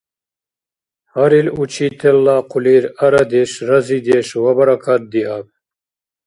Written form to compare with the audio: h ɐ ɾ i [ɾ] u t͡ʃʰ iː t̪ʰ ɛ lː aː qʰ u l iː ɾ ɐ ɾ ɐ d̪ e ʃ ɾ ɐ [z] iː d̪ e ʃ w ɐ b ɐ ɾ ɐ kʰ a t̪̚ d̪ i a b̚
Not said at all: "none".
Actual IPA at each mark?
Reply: l, z

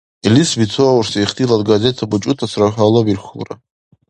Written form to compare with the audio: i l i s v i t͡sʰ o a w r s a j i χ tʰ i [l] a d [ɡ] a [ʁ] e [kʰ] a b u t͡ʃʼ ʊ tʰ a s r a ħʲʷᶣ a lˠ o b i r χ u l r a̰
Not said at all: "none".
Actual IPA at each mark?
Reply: l, ɡ, z, tʰ

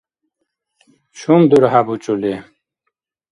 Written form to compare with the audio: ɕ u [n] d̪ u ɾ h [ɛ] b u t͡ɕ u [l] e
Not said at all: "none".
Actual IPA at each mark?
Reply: m, a, l

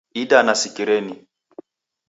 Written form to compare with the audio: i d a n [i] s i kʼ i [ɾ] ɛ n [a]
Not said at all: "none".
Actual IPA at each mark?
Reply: a, ɾ, i

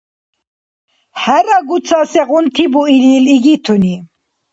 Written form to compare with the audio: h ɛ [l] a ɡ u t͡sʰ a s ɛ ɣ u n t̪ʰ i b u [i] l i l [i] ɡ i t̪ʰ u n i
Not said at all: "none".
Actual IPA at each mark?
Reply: ɾ, i, i

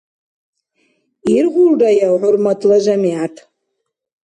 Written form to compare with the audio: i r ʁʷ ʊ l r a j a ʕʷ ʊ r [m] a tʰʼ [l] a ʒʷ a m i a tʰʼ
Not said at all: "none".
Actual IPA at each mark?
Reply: m, l

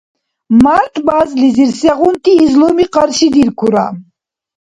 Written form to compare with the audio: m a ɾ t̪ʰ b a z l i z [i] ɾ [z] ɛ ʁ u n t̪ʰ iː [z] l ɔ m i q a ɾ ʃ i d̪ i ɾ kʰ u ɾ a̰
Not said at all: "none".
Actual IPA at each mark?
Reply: i, s, z

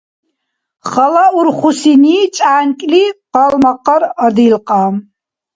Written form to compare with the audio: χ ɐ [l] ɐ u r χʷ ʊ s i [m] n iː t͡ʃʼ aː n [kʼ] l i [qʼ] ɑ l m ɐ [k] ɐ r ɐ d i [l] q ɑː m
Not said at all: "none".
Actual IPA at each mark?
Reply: l, none, kʼ, q, q, l

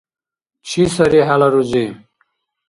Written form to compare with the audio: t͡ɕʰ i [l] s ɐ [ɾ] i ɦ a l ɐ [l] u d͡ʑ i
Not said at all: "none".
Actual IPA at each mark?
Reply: none, ɾ, ɾ

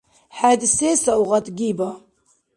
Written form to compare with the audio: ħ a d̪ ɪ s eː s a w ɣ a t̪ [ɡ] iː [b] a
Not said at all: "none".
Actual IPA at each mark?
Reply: ɡ, b

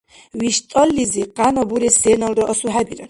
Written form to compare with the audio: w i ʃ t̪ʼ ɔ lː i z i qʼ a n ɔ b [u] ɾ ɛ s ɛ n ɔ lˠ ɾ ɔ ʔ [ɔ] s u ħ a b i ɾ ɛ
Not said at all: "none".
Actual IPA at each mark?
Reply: u, ɔ

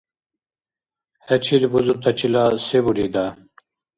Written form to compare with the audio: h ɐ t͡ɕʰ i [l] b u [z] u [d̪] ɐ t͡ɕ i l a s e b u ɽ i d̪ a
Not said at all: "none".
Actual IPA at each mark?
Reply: l, z, t̪

